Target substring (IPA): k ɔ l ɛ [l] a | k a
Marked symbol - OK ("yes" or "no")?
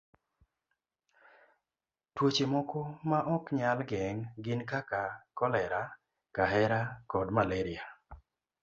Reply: no